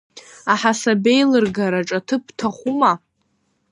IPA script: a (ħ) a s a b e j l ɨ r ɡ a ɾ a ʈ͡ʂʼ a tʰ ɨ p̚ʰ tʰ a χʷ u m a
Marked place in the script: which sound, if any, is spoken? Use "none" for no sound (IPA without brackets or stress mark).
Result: ħ